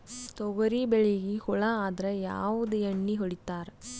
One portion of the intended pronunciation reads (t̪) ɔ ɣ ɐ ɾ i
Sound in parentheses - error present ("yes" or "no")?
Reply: no